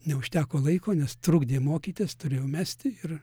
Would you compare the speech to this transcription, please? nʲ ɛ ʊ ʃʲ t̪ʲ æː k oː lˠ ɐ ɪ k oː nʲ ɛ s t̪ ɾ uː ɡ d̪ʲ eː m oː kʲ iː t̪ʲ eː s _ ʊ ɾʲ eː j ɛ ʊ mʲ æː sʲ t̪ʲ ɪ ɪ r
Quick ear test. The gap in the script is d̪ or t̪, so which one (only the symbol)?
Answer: t̪